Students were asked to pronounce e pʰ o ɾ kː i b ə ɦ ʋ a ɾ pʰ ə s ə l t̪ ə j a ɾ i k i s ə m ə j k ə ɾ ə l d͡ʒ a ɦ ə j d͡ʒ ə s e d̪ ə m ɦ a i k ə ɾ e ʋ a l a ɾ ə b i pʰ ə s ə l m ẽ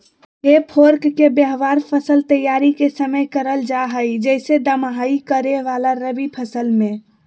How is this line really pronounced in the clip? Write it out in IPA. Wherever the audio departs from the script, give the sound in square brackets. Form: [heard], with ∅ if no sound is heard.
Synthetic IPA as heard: e pʰ o ɾ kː [e] b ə ɦ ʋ a ɾ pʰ ə s ə l t̪ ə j a ɾ i k [e] s ə m ə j k ə ɾ ə l d͡ʒ a ɦ ə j d͡ʒ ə s e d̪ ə m ɦ a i k ə ɾ e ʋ a l a ɾ ə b i pʰ ə s ə l m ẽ